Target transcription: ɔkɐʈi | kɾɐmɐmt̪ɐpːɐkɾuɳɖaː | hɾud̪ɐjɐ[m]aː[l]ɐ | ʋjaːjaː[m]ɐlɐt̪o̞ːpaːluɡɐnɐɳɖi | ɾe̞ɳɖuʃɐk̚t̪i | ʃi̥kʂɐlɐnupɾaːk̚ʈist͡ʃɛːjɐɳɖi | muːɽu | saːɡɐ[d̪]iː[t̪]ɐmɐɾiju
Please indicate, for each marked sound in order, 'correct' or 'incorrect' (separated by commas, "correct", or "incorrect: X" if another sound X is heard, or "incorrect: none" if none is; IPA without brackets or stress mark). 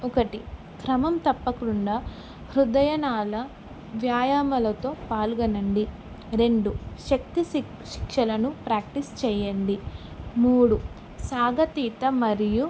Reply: incorrect: n, correct, correct, incorrect: t̪, correct